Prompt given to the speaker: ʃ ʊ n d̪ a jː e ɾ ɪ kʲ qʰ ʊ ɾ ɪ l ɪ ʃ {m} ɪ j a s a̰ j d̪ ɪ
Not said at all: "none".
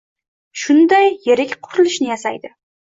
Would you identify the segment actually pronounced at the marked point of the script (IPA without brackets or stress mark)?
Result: n